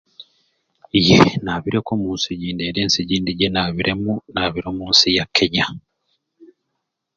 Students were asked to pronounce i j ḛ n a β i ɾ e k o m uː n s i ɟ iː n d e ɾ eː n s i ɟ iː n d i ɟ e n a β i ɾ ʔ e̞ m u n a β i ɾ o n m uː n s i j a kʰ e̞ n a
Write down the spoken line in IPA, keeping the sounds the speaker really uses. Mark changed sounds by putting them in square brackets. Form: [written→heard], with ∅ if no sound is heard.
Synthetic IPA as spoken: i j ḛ n a β i ɾ e k o m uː n s i ɟ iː n d e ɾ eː n s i ɟ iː n d i ɟ e n a β i ɾ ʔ e̞ m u n a β i ɾ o [n→∅] m uː n s i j a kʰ e̞ [n→ɲ] a